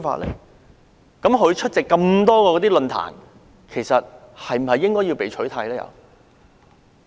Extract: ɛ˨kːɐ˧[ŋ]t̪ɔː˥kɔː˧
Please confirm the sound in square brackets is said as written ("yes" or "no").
no